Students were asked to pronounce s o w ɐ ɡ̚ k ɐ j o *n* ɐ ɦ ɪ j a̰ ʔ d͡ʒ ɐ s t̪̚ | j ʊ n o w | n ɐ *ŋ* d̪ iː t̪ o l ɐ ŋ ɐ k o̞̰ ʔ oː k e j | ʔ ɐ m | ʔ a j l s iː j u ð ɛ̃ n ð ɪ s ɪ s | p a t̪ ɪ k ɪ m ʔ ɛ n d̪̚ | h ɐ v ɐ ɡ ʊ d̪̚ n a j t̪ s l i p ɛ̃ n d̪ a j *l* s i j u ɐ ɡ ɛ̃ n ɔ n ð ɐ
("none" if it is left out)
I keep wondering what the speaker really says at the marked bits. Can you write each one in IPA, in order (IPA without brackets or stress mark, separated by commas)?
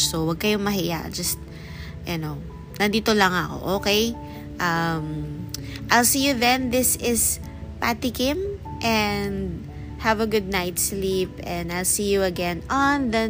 m, n, l